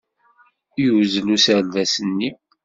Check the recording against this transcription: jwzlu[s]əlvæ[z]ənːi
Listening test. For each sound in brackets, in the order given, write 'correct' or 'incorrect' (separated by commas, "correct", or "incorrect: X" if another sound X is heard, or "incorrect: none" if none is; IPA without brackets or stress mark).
correct, incorrect: s